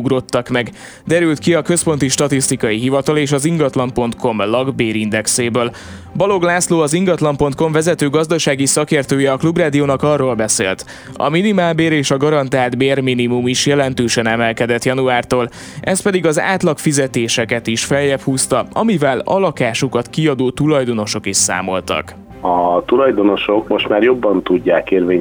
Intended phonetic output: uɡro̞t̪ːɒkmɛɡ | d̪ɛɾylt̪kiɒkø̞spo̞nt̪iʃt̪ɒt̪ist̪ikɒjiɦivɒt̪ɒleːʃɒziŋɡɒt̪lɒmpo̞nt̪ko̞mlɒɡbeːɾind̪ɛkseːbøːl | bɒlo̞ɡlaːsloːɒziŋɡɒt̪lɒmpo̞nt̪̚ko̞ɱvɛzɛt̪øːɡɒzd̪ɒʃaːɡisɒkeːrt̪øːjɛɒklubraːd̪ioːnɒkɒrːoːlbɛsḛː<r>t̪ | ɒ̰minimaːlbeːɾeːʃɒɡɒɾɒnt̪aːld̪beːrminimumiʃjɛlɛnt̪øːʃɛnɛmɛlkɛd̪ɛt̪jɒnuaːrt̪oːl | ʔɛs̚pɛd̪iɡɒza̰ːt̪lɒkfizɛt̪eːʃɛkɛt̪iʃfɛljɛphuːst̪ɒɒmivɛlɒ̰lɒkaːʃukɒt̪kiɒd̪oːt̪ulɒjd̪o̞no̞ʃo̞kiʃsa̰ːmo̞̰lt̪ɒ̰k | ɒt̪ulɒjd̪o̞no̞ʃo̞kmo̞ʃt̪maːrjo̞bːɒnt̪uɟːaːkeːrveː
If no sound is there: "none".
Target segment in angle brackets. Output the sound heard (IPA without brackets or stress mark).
l